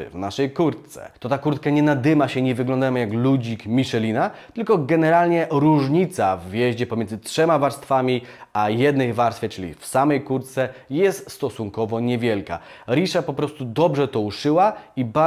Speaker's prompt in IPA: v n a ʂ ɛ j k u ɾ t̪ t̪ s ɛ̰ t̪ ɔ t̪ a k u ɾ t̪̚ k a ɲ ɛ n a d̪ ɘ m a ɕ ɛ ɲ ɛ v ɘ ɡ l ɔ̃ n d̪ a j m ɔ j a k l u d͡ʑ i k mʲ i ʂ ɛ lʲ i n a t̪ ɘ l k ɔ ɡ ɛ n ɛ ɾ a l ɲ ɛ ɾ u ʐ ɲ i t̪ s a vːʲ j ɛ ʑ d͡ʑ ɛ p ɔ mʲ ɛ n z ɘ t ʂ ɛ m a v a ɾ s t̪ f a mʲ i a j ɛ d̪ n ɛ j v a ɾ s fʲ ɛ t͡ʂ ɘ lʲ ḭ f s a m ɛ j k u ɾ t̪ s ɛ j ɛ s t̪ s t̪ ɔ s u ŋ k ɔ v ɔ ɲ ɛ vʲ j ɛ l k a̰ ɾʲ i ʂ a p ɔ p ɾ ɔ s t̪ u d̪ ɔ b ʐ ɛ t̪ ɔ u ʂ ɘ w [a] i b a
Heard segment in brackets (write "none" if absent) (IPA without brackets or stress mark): a